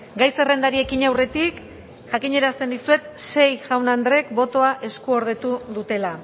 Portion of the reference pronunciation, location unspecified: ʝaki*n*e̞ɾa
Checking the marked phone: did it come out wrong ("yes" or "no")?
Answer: yes